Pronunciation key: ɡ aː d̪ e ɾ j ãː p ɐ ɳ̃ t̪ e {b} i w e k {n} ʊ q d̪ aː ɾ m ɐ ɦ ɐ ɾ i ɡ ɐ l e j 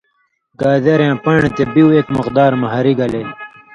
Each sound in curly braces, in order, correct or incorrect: correct, incorrect

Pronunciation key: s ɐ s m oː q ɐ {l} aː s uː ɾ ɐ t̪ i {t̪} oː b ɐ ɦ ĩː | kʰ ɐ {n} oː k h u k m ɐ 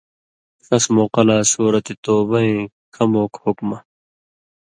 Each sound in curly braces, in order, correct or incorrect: correct, correct, incorrect

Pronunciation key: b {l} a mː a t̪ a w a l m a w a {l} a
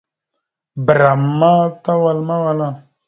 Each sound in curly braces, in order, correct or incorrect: incorrect, correct

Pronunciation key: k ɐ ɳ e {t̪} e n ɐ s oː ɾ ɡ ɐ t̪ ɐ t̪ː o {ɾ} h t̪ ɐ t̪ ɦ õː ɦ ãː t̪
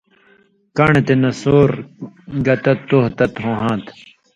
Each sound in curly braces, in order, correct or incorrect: correct, incorrect

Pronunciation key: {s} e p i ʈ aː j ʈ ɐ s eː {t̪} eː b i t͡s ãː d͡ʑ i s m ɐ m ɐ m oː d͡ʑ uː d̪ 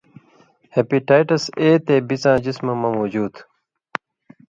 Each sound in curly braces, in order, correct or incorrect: incorrect, correct

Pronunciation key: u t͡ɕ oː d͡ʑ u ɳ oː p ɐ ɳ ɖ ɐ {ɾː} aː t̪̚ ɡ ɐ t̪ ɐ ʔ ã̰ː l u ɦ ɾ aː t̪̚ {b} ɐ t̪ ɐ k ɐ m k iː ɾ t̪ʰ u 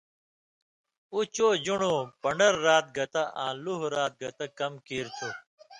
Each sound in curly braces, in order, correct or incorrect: correct, incorrect

